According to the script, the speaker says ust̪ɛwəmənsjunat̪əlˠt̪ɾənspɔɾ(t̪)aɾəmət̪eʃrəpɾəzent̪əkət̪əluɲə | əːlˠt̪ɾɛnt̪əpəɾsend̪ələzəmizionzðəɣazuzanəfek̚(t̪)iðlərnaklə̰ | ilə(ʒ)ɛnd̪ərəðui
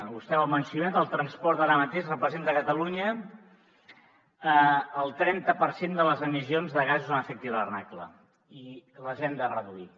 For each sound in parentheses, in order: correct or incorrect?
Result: correct, correct, correct

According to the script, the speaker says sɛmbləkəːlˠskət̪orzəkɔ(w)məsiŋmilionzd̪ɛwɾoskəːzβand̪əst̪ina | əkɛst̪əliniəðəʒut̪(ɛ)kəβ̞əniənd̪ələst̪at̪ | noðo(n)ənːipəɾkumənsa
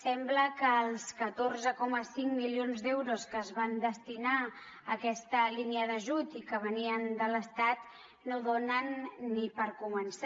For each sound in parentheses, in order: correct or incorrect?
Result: incorrect, incorrect, correct

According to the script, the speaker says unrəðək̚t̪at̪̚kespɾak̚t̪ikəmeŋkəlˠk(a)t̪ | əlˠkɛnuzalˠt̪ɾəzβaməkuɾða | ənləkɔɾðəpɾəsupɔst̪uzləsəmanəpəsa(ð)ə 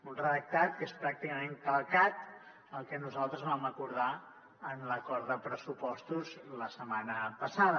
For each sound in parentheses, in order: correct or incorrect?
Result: correct, correct

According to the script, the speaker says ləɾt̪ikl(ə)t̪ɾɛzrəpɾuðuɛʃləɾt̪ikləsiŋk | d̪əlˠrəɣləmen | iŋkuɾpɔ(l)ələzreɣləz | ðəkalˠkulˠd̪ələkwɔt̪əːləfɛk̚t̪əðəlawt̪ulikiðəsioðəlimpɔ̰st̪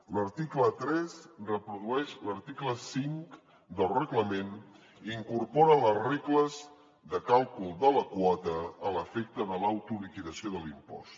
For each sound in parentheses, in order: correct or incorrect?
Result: correct, incorrect

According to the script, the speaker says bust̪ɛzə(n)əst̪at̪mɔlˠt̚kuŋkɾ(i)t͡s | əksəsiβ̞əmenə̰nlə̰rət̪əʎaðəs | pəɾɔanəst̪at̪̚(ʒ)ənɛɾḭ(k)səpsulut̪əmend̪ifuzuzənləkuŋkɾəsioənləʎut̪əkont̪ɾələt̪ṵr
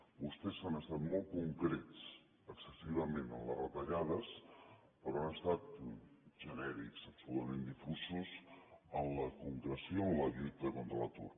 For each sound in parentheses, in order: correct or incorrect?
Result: correct, incorrect, correct, correct

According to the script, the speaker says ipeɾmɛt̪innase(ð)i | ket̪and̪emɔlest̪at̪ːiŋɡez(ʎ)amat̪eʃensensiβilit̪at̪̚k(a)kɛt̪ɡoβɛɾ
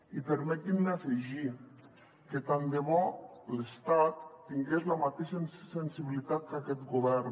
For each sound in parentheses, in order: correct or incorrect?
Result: incorrect, incorrect, correct

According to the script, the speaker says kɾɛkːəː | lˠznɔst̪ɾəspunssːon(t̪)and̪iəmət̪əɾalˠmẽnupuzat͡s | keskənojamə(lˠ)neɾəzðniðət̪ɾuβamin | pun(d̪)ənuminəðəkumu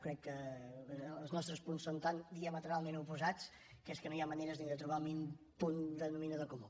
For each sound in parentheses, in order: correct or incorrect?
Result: correct, incorrect, correct

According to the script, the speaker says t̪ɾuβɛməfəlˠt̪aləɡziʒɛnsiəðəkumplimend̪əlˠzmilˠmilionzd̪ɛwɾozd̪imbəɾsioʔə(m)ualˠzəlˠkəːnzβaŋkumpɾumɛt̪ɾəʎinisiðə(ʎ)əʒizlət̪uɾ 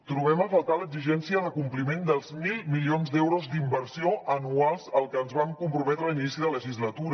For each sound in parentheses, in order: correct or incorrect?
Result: incorrect, incorrect

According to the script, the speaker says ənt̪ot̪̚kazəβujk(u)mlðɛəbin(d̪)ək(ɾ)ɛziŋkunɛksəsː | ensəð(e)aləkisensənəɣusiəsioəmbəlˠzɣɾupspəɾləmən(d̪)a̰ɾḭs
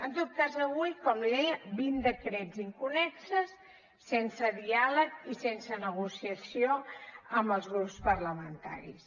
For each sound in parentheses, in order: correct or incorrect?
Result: incorrect, correct, correct, incorrect, incorrect

